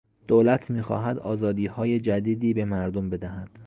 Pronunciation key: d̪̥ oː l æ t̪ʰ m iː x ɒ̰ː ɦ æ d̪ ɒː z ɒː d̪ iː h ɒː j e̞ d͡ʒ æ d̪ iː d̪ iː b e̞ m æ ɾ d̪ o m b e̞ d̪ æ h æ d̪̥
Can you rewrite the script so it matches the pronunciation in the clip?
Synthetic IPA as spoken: d̪̥ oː l æ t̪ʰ m iː x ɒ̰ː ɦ æ d̪ ɒː z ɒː d̪ iː h ɒː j e̞ d͡ʒ æ d̪ iː d̪ iː b e̞ m æ ɾ d̪ o m b e̞ d̪ æ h æ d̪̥